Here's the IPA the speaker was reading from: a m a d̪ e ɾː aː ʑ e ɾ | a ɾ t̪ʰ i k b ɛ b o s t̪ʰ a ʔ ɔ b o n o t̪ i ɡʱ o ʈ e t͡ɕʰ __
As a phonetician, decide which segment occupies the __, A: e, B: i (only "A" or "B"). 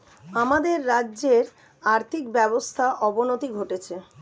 A